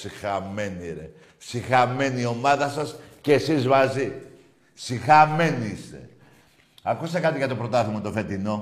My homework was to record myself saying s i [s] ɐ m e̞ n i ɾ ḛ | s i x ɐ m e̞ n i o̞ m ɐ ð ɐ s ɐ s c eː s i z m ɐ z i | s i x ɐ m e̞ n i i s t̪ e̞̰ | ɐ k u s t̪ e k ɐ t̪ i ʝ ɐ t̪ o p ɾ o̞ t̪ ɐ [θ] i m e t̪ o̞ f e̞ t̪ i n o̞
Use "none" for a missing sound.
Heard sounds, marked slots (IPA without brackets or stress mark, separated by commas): x, θ